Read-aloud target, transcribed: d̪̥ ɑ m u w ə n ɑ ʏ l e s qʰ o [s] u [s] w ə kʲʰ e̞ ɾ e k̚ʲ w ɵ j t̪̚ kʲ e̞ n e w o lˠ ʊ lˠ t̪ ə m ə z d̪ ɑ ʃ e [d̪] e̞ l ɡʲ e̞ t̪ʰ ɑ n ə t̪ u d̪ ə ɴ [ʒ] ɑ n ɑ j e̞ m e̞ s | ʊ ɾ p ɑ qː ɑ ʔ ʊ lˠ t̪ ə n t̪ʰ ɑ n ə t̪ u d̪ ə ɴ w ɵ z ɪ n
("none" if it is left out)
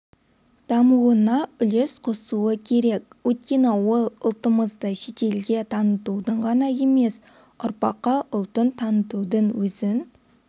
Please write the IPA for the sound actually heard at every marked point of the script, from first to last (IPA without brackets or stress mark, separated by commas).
s, none, t̪, ʁ